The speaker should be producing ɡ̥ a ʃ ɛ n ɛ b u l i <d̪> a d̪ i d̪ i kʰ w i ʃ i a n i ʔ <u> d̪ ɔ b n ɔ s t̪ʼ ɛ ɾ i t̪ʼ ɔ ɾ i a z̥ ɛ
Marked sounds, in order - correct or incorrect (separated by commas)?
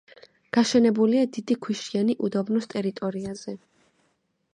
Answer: incorrect, correct